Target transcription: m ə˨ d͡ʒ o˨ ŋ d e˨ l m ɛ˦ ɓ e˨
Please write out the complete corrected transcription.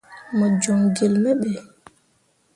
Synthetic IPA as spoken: m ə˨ d͡ʒ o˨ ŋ ɡ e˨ l m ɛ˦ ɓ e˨